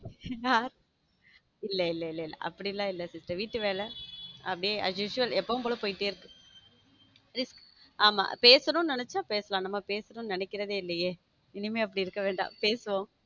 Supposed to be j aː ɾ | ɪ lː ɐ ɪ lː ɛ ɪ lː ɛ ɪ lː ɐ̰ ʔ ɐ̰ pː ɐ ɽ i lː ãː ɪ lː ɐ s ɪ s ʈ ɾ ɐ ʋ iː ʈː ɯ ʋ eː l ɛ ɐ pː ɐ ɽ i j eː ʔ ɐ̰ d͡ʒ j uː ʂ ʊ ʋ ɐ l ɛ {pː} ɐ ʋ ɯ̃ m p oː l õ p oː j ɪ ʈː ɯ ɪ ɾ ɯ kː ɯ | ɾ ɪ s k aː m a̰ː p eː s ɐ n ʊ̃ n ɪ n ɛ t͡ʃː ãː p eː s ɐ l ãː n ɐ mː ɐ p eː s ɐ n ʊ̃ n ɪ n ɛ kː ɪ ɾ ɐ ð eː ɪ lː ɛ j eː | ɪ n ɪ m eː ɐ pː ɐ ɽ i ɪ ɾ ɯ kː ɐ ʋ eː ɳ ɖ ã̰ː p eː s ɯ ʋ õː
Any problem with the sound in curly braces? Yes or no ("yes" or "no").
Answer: no